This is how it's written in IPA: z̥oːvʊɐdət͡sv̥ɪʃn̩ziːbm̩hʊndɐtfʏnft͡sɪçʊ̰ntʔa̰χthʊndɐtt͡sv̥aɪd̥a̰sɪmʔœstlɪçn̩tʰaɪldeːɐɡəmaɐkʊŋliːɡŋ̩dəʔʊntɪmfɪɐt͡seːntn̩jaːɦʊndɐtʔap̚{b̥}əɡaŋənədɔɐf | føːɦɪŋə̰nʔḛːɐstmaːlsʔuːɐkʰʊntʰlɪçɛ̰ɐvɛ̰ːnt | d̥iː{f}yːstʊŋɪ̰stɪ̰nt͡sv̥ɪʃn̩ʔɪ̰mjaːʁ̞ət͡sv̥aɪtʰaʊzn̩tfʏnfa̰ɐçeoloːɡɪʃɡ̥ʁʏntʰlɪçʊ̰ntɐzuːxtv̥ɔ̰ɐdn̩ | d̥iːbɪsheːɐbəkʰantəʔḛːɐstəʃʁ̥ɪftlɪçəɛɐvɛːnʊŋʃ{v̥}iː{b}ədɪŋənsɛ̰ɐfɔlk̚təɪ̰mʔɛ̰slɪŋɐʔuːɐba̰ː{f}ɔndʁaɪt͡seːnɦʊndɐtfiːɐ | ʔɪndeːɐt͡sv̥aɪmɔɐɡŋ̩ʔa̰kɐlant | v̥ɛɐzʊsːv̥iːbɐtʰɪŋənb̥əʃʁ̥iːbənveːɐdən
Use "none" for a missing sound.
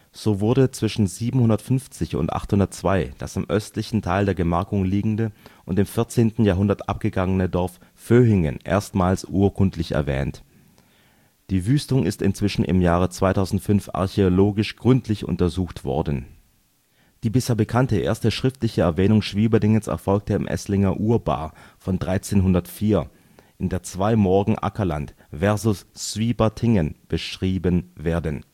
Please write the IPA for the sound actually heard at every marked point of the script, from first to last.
ɡ̥, v, v̥, b, f

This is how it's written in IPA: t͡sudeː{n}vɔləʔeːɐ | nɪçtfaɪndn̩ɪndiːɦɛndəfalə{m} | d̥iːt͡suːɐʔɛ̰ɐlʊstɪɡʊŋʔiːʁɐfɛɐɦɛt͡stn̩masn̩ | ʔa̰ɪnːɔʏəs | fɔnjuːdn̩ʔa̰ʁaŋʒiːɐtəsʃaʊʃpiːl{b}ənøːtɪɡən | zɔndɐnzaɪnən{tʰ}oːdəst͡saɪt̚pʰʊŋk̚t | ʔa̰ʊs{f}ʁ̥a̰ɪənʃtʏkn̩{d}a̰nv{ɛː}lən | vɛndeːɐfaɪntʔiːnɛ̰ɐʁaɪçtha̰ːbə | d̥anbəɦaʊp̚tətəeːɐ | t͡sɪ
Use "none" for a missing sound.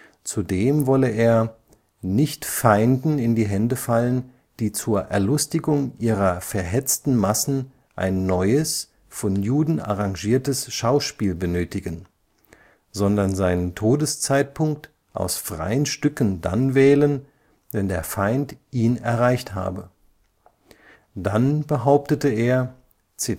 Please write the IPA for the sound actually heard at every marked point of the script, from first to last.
m, n, b, tʰ, f, d, ɛː

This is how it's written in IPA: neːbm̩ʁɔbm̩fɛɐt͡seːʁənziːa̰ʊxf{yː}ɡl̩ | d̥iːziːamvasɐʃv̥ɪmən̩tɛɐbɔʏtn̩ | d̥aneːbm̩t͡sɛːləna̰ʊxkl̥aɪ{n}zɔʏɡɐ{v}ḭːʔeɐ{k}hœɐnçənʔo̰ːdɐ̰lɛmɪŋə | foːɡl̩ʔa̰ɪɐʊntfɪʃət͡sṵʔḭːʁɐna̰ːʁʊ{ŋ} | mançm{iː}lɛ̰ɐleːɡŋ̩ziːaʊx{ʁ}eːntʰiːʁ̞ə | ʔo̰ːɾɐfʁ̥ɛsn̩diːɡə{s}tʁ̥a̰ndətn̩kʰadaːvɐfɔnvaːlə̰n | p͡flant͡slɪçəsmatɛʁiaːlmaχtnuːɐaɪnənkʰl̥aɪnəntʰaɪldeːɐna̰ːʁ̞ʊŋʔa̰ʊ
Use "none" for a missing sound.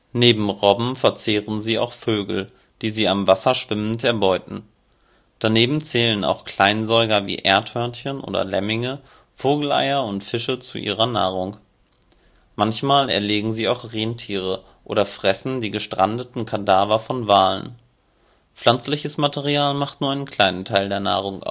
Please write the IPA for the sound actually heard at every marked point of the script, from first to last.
øː, n, v, t, ŋ, aː, ʁ, ʃ

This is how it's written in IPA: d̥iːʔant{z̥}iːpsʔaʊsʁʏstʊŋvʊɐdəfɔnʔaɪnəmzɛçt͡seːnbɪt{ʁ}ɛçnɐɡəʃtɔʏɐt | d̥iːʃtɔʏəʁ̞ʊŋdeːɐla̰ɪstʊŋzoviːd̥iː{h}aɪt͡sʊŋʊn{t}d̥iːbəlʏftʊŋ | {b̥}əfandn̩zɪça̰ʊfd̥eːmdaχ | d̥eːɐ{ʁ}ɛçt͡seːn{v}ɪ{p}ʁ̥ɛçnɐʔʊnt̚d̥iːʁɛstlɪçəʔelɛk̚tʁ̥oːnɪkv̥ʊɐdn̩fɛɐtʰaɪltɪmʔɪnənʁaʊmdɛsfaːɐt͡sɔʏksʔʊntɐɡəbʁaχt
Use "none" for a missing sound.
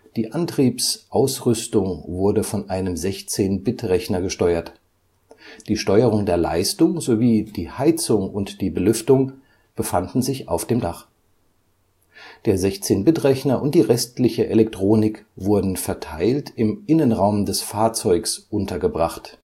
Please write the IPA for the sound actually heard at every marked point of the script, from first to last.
ʁ̥, ʁ, h, t, b̥, z, b, t

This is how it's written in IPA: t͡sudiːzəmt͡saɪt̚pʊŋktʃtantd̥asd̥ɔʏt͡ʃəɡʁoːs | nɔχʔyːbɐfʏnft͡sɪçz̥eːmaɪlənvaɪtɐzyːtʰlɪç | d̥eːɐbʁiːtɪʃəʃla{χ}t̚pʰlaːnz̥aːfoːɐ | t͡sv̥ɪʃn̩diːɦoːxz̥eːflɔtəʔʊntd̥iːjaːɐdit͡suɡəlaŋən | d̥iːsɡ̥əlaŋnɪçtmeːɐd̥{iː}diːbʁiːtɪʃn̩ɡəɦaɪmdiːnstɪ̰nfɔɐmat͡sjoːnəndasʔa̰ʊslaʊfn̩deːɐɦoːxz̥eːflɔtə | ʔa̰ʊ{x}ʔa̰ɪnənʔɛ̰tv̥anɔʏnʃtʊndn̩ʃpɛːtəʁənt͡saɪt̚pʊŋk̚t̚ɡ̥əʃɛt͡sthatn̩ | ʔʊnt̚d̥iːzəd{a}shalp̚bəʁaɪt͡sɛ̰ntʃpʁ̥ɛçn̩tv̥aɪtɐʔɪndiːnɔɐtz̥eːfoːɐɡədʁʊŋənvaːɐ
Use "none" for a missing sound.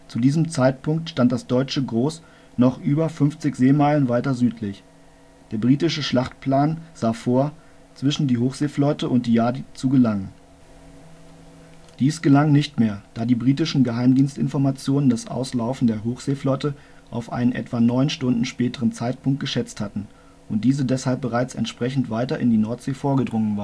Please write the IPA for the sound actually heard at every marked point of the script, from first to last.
χ, aː, f, ɛ

